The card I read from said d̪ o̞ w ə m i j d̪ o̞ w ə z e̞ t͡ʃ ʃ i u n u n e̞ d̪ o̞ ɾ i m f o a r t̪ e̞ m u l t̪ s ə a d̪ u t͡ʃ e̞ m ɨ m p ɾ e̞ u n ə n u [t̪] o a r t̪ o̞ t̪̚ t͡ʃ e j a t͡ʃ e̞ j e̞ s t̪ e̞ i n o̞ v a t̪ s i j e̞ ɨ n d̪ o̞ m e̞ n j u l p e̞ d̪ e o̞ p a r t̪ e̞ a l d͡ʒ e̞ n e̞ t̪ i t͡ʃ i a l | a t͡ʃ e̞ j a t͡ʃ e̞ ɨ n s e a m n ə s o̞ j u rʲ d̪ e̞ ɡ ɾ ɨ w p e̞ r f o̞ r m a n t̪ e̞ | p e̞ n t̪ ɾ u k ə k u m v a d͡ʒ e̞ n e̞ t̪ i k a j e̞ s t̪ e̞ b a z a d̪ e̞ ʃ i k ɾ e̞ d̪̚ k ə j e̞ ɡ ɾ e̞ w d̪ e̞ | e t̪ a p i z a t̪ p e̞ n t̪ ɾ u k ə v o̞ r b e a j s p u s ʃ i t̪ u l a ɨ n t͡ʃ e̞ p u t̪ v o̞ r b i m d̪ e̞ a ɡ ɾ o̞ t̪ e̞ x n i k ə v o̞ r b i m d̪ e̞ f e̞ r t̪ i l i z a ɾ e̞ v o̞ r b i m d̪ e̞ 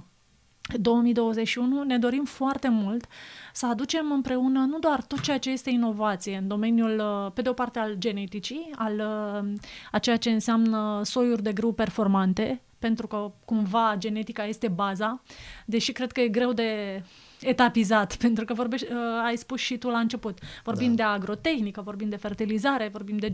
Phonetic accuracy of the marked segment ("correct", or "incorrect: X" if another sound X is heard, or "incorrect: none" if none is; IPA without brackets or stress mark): incorrect: d̪